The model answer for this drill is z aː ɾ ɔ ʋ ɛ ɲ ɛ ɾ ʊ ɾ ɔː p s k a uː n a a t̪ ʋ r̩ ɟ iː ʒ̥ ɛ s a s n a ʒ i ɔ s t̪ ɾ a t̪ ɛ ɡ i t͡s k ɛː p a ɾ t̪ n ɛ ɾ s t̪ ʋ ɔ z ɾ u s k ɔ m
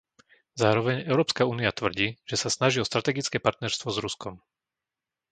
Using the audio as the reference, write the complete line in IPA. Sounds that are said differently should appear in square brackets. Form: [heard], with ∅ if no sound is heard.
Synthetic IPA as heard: z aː ɾ ɔ ʋ ɛ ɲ ɛ [∅] ʊ ɾ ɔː p s k a uː n [i] a t̪ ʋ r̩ ɟ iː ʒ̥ ɛ s a s n a ʒ i ɔ s t̪ ɾ a t̪ ɛ ɡ i t͡s k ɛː p a ɾ t̪ n ɛ ɾ s t̪ ʋ ɔ z ɾ u s k ɔ m